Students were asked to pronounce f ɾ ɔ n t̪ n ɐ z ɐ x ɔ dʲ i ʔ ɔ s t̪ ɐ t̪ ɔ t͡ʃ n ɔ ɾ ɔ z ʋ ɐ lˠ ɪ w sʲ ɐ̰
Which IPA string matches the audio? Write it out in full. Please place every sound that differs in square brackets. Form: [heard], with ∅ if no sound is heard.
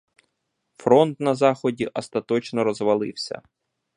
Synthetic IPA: f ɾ ɔ n t̪ n ɐ z [ɑ] x ɔ dʲ i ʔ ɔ s t̪ ɐ t̪ ɔ t͡ʃ n ɔ ɾ ɔ z ʋ ɐ lˠ ɪ w sʲ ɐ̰